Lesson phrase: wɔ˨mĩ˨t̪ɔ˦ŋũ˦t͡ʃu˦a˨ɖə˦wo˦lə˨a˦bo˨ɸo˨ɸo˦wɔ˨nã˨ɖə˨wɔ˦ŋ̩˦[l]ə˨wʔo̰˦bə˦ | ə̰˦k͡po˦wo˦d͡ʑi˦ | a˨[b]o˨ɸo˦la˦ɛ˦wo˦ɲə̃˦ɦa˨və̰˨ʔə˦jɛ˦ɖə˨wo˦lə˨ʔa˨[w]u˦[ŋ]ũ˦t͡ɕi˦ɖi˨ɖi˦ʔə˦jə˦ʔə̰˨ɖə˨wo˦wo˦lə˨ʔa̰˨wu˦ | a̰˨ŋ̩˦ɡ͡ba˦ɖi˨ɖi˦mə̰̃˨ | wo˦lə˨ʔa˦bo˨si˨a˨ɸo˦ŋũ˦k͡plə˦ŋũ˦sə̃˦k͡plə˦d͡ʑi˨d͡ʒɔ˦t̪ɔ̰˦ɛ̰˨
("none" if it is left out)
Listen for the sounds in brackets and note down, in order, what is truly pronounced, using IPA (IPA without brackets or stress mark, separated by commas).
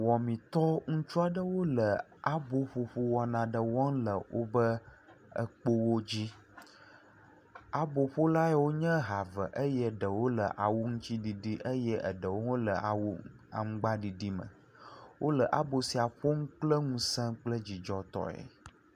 l, b, w, ŋ